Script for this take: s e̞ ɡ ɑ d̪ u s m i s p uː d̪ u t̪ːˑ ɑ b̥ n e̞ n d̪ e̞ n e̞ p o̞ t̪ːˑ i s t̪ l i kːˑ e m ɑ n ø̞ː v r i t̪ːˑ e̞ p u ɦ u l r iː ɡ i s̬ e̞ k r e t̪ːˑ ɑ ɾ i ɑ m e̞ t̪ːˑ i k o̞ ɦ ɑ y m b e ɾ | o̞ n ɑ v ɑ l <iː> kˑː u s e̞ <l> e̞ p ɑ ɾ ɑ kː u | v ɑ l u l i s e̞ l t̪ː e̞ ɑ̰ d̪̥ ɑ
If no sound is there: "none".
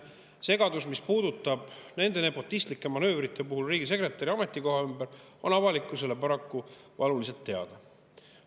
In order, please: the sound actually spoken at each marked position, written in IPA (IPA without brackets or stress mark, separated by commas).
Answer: i, l